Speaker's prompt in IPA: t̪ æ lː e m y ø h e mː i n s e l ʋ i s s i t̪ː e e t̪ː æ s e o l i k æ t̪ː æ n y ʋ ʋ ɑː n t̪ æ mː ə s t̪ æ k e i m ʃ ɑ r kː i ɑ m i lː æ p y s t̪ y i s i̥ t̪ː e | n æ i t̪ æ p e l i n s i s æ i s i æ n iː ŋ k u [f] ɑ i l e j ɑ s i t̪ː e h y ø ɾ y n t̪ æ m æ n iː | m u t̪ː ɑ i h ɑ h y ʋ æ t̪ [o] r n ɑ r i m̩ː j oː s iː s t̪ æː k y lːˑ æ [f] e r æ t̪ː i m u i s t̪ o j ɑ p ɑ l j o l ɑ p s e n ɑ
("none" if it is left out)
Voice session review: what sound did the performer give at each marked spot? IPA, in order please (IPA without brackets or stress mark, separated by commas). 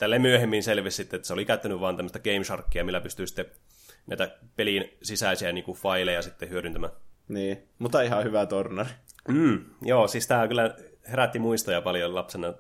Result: f, o, h